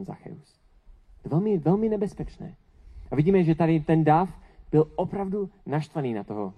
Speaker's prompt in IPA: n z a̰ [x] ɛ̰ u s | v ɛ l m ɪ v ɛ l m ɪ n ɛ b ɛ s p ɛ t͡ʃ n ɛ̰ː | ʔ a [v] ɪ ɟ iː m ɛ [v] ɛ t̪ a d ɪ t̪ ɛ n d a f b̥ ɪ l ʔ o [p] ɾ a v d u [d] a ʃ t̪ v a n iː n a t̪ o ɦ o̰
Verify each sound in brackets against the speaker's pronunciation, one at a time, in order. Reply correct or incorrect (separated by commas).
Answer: correct, correct, incorrect, correct, incorrect